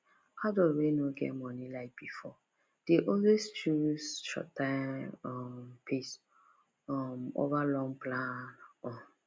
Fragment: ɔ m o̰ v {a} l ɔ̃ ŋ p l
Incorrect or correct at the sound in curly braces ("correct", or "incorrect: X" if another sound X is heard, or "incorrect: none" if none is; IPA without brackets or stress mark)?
correct